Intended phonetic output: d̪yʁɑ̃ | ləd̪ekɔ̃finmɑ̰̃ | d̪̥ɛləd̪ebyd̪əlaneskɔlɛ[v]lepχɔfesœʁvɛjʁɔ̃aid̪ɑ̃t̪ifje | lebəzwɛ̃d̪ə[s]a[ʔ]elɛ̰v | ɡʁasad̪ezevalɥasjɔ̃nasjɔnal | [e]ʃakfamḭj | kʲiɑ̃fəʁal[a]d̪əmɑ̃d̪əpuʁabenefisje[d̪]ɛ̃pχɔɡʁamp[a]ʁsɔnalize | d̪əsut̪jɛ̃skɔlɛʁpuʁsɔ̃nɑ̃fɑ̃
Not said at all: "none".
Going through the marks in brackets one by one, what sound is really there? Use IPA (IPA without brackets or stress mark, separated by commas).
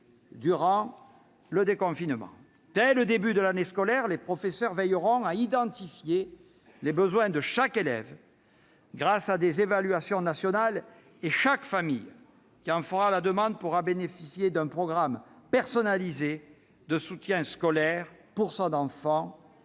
ʁ, ʃ, k, e, a, d̪, ɛ